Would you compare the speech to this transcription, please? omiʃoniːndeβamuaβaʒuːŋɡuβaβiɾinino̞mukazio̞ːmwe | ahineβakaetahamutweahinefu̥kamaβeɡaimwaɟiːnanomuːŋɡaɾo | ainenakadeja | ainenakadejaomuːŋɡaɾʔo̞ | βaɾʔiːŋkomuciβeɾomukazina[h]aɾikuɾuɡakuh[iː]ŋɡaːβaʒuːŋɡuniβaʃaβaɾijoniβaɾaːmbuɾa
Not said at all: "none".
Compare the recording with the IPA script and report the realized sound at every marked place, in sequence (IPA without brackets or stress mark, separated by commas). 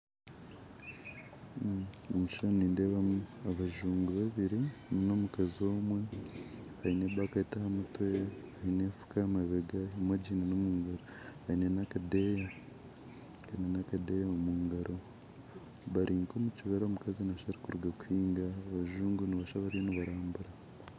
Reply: ʃ, iː